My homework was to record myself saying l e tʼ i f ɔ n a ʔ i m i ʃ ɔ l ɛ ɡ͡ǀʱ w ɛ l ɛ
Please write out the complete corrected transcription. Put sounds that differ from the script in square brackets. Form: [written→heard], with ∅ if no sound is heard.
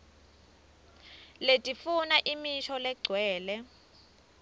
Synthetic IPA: l e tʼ i f [ɔ→u] n a ʔ i m i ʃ ɔ l ɛ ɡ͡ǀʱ w [ɛ→ɛː] l ɛ